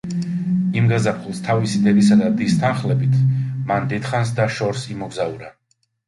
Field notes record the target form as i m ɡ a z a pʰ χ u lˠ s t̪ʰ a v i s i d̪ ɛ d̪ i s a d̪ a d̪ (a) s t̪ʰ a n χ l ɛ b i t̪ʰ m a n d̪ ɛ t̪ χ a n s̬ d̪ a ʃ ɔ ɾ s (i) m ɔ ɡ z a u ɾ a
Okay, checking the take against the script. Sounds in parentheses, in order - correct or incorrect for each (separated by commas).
incorrect, correct